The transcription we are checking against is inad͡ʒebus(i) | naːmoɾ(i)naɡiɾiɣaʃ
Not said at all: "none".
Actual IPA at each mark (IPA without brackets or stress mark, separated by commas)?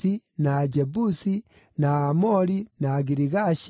i, i